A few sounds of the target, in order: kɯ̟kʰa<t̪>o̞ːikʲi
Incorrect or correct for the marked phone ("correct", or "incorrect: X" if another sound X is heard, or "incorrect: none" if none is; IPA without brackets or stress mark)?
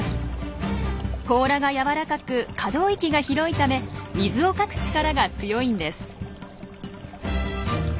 incorrect: d̪